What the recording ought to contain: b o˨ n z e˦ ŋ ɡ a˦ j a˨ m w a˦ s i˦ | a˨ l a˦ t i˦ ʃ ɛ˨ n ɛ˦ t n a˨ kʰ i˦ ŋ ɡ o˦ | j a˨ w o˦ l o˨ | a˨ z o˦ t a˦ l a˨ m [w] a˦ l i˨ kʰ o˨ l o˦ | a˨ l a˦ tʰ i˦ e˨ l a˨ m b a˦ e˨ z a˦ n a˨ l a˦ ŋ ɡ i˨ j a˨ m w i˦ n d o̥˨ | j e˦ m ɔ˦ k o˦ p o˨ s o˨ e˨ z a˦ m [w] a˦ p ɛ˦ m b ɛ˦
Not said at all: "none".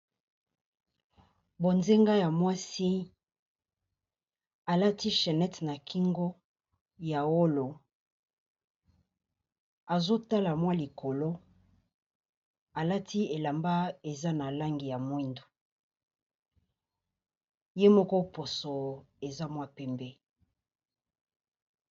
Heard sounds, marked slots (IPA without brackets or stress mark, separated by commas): w, w